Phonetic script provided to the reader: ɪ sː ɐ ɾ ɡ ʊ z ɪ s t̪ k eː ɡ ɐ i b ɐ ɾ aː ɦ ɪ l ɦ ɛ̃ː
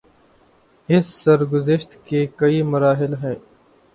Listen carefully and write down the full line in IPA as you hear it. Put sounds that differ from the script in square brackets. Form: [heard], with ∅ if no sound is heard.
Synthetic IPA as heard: ɪ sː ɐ ɾ ɡ ʊ z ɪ [ʃ] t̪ k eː [k] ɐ i [m] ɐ ɾ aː ɦ ɪ l ɦ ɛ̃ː